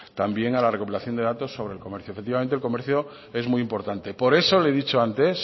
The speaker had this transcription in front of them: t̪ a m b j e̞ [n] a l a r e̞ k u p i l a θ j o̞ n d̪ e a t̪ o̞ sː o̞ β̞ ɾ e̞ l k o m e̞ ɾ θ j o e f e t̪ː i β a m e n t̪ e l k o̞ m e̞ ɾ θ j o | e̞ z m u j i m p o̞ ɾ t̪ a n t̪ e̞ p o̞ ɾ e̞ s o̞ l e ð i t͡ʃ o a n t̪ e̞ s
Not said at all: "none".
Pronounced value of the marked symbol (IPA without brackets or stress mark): ŋ